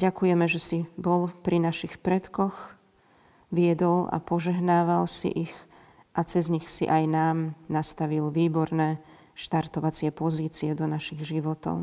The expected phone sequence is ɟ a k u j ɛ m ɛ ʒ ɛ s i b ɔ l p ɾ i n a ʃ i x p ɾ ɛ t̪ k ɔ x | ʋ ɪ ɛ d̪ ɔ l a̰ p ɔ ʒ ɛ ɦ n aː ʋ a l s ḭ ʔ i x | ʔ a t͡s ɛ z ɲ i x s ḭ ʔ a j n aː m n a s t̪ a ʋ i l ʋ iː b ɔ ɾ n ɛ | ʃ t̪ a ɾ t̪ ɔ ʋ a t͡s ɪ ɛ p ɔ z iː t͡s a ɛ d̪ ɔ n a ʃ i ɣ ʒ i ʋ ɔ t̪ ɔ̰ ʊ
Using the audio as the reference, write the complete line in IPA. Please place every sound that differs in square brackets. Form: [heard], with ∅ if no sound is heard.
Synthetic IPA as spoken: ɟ a k u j ɛ m ɛ ʒ ɛ s i b ɔ l p ɾ i n a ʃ i x p ɾ ɛ t̪ k ɔ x | ʋ ɪ ɛ d̪ ɔ l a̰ p ɔ ʒ ɛ ɦ n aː ʋ a l s ḭ ʔ i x | ʔ a t͡s ɛ z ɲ i x s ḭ ʔ a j n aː m n a s t̪ a ʋ i l ʋ iː b ɔ ɾ n ɛ | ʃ t̪ a ɾ t̪ ɔ ʋ a t͡s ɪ ɛ p ɔ z iː t͡s [i] ɛ d̪ ɔ n a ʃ i ɣ ʒ i ʋ ɔ t̪ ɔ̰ ʊ